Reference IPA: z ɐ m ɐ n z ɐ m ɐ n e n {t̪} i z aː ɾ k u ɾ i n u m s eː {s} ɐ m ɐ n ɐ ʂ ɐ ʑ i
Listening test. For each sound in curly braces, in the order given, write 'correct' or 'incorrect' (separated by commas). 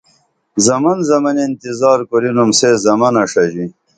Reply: correct, incorrect